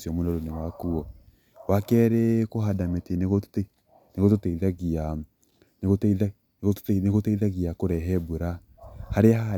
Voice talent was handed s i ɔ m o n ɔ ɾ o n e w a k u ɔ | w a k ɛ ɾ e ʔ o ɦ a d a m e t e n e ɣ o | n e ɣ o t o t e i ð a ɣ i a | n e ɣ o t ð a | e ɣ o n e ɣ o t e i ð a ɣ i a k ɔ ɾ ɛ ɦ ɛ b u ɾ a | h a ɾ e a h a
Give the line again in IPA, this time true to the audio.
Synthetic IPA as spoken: s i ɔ m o n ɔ ɾ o n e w a k u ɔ | w a k ɛ ɾ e k o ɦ a d a m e t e n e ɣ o | n e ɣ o t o t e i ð a ɣ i a | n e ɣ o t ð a | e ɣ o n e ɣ o t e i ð a ɣ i a k o ɾ ɛ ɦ ɛ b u ɾ a | h a ɾ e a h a